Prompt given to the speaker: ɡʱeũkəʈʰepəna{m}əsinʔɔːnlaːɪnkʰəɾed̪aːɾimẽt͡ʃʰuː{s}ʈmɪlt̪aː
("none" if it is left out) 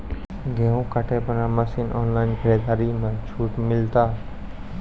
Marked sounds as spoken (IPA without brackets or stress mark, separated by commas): m, none